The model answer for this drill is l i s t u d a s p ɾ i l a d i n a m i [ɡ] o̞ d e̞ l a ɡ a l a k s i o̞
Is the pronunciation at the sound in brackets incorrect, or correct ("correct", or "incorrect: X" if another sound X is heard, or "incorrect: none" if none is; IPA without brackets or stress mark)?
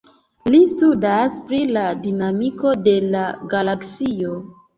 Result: incorrect: k